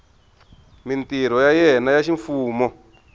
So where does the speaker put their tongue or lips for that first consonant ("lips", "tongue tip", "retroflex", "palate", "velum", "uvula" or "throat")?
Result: lips